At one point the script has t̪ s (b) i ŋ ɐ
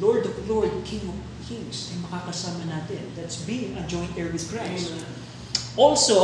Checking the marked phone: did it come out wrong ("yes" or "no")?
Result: no